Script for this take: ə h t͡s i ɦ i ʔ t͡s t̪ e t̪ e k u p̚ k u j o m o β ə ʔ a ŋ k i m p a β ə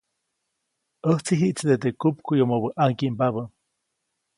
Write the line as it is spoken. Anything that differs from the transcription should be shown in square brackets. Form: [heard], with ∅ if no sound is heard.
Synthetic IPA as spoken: ə h t͡s i ɦ i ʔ t͡s [d̪] e t̪ e k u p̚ k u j o m o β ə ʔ a ŋ k i m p a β ə